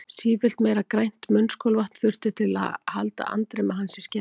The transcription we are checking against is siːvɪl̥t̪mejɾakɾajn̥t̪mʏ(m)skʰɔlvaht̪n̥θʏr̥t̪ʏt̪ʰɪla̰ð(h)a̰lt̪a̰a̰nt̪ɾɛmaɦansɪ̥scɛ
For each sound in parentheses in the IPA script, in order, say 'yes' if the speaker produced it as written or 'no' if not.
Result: no, yes

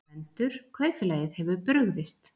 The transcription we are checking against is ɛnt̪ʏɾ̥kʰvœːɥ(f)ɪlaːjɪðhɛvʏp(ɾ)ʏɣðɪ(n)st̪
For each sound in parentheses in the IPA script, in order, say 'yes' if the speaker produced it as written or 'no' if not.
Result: yes, yes, no

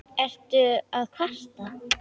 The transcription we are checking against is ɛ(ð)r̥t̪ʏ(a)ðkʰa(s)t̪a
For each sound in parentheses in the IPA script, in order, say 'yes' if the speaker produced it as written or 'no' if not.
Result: no, yes, yes

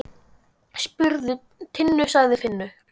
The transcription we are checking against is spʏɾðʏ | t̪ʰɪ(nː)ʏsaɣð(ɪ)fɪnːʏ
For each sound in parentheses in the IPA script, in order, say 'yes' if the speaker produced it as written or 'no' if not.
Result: yes, yes

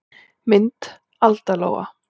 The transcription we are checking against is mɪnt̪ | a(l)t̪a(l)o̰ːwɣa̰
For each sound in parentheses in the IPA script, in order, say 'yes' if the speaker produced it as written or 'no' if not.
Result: yes, yes

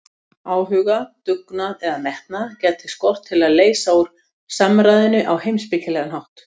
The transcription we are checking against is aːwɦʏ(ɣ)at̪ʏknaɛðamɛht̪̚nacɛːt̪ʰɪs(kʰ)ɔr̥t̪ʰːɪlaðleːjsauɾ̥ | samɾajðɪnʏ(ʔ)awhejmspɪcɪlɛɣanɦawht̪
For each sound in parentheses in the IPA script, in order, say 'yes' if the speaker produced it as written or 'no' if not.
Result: yes, no, yes

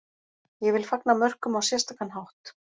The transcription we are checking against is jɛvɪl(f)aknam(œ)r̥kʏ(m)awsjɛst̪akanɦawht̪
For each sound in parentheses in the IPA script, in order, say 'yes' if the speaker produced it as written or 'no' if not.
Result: yes, yes, yes

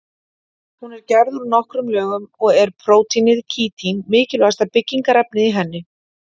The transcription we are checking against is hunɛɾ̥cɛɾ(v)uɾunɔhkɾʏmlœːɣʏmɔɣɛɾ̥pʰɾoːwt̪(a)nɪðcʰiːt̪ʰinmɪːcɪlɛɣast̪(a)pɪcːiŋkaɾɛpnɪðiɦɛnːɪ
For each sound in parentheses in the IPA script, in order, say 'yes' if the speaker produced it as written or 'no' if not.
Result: no, no, yes

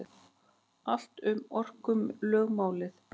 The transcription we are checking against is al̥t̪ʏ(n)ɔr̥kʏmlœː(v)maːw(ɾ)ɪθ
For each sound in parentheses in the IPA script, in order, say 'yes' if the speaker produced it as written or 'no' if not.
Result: no, no, no

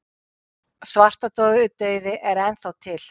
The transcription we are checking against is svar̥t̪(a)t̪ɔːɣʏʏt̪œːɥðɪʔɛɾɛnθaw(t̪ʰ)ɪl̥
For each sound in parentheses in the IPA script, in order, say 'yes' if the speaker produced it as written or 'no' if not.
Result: yes, yes

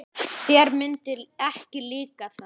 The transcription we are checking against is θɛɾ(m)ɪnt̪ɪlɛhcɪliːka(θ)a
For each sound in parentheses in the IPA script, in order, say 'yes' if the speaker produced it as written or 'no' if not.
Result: yes, yes

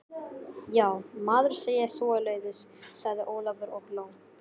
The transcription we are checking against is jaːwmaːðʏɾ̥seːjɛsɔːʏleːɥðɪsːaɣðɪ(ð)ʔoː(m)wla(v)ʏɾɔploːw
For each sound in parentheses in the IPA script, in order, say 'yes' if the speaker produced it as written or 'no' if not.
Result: no, no, yes

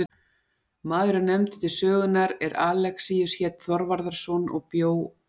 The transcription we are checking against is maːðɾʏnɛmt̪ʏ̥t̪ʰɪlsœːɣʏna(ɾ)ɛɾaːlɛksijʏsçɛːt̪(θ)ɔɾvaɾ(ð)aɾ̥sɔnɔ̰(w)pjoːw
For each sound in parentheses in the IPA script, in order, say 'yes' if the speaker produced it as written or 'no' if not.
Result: yes, yes, yes, no

